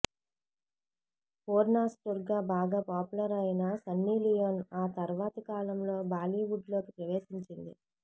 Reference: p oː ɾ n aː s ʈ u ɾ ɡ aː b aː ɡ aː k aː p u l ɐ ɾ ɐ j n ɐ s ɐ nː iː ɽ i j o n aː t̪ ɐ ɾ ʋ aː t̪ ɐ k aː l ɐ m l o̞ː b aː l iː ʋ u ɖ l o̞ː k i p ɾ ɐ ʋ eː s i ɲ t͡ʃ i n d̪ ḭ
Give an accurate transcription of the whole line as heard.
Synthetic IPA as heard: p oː ɾ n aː s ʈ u ɾ ɡ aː b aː ɡ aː p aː p u l ɐ ɾ ɐ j n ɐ s ɐ nː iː l i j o n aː t̪ ɐ ɾ ʋ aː t̪ ɐ k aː l ɐ m l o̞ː b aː l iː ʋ u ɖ l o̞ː k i p ɾ ɐ ʋ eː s i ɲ t͡ʃ i n d̪ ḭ